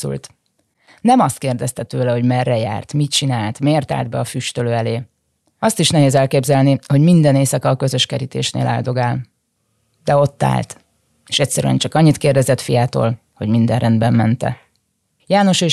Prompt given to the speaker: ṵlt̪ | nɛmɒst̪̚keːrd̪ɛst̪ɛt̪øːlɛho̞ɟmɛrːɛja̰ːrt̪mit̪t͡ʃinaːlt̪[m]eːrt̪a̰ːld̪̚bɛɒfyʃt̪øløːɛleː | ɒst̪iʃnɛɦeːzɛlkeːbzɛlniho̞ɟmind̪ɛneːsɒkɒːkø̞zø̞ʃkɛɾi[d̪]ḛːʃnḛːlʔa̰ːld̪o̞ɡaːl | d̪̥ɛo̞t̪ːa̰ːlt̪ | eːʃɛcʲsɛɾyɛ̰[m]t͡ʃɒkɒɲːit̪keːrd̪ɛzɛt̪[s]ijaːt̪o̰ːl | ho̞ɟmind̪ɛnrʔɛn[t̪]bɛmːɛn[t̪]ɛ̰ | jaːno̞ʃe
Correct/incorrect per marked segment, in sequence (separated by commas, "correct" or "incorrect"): correct, incorrect, incorrect, incorrect, incorrect, correct